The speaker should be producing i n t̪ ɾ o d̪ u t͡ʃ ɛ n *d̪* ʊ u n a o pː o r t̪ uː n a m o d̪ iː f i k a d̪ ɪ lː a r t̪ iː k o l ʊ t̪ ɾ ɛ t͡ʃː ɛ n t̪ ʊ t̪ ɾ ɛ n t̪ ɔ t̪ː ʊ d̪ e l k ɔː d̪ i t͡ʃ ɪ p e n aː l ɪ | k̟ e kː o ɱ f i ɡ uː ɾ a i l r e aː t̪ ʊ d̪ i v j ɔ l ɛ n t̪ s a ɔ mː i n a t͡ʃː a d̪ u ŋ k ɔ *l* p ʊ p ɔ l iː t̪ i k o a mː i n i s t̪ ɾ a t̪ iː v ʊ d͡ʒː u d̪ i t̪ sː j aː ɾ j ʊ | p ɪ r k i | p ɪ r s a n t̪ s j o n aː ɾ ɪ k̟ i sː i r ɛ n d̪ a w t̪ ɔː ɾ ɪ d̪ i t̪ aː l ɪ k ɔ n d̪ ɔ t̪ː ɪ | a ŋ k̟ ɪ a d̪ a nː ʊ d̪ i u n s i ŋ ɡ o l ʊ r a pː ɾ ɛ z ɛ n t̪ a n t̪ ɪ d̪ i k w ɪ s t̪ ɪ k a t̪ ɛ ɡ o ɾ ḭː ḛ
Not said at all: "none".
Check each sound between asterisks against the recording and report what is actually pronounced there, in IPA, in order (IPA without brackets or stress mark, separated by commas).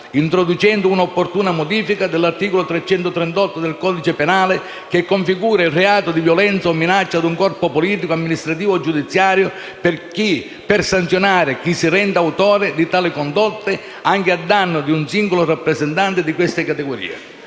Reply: d̪, r